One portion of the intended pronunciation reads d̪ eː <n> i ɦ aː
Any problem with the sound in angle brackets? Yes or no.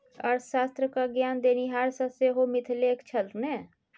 no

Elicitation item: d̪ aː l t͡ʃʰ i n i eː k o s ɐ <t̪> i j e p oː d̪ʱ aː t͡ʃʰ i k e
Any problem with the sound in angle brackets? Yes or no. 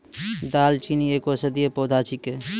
yes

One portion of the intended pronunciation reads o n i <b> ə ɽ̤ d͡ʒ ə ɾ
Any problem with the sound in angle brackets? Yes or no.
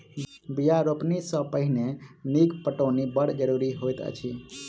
no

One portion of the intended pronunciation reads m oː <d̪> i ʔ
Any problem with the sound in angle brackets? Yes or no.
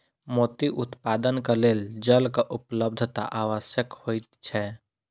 yes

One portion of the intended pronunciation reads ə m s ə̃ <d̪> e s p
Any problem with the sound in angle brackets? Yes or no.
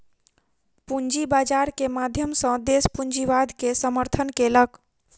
no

